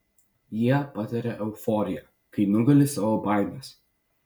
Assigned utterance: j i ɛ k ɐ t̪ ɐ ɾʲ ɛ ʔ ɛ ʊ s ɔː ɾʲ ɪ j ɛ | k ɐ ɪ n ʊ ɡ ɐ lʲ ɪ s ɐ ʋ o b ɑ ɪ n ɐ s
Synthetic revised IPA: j i ɛ p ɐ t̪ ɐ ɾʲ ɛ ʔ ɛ ʊ f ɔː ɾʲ ɪ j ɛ | k ɐ ɪ n ʊ ɡ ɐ lʲ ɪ s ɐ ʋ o b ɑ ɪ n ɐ s